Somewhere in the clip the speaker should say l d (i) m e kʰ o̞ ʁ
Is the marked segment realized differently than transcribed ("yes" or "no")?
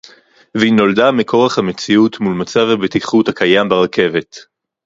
yes